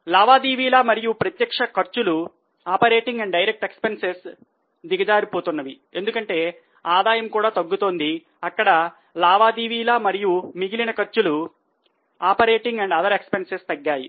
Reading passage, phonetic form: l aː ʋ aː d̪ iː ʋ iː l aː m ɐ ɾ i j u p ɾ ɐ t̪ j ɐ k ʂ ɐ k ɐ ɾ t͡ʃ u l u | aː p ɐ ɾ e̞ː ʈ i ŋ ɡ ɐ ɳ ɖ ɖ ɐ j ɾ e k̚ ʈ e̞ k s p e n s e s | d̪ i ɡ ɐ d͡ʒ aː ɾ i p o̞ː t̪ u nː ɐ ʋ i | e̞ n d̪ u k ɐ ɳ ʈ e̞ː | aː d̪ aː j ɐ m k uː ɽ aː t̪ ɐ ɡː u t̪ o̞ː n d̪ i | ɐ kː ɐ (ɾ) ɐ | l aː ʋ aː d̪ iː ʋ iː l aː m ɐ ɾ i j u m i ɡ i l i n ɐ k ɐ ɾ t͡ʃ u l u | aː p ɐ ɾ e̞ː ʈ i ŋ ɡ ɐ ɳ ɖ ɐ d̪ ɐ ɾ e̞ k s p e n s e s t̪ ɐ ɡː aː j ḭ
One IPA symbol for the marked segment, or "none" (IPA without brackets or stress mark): ɽ